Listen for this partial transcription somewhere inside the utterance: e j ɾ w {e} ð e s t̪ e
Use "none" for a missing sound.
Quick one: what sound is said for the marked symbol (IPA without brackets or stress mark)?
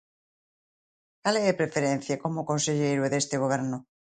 e